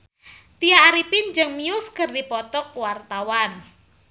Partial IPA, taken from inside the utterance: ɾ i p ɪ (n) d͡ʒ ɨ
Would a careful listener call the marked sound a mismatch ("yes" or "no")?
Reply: no